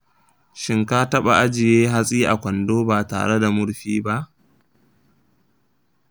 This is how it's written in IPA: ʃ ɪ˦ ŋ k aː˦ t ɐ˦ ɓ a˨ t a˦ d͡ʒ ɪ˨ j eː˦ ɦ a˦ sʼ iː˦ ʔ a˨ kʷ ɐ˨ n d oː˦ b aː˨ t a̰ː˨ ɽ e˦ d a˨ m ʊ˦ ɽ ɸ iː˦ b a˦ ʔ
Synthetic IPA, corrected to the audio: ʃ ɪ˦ ŋ k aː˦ t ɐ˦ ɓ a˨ ʔ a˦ d͡ʒ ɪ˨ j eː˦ ɦ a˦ sʼ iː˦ ʔ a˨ kʷ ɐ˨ n d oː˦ b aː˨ t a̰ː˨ ɽ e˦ d a˨ m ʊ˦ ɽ ɸ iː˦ b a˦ ʔ